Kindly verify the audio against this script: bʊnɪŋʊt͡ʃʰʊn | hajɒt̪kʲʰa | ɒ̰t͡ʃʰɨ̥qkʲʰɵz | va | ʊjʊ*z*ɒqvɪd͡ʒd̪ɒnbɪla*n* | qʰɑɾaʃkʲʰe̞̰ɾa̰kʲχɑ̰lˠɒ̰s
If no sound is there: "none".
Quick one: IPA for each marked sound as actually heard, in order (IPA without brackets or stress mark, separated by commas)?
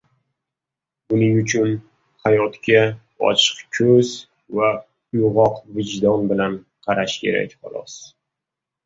ʁ, n